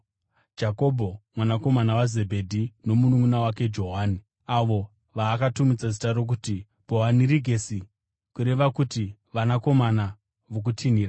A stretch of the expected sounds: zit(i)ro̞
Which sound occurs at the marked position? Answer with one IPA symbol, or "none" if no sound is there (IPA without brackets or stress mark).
a